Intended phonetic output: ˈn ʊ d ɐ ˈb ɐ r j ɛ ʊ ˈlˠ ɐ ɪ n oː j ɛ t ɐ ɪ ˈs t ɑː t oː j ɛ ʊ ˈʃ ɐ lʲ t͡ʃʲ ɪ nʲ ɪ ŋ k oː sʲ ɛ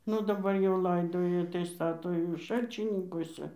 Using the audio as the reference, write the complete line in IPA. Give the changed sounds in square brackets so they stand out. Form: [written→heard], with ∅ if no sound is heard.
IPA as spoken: ˈn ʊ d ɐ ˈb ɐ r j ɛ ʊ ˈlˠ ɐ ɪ [n→d] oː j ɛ t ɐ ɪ ˈs t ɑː t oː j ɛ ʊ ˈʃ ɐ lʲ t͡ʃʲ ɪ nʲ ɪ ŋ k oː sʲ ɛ